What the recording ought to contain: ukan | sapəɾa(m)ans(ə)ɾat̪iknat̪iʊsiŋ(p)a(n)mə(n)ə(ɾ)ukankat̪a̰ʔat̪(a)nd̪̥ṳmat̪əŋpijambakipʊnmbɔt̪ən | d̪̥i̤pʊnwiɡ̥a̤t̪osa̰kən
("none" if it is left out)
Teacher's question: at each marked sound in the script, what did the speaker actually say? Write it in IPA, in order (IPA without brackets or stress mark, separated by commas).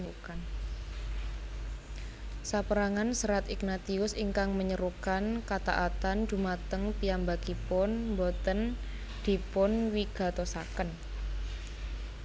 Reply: ŋ, ə, k, ŋ, ɲ, ɾ, a